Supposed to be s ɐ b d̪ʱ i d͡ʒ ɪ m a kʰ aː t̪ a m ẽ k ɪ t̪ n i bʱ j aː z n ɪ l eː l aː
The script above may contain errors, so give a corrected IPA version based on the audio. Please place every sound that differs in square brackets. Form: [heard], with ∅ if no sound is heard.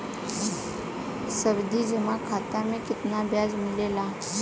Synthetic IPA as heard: s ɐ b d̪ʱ i d͡ʒ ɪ m a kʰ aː t̪ a m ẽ k ɪ t̪ n [a] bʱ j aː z [m] ɪ l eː l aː